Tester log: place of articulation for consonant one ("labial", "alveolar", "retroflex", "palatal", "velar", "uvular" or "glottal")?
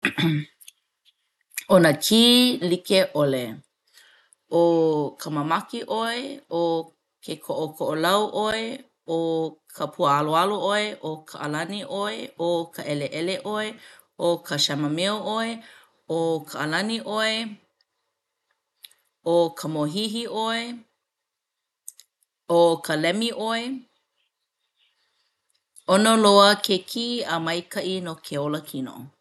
alveolar